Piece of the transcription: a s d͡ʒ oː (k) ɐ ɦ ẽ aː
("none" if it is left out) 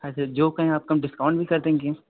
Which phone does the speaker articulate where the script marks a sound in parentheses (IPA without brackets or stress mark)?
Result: k